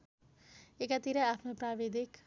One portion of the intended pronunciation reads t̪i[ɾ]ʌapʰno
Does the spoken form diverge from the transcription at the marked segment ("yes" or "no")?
no